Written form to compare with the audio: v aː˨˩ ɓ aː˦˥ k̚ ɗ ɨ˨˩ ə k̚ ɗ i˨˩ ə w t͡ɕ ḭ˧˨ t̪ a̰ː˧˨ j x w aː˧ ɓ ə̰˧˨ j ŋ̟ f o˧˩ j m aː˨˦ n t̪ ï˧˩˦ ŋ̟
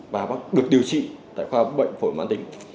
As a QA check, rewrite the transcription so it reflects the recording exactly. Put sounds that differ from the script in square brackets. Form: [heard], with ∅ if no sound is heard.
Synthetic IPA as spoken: v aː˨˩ ɓ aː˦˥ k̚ ɗ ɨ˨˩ ə k̚ ɗ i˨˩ ə w t͡ɕ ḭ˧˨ t̪ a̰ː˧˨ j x w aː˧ ɓ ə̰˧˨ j ŋ̟ f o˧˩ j m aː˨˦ n t̪ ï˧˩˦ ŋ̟